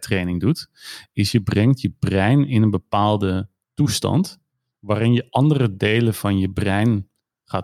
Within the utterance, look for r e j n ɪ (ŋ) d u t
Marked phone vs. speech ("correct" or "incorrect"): correct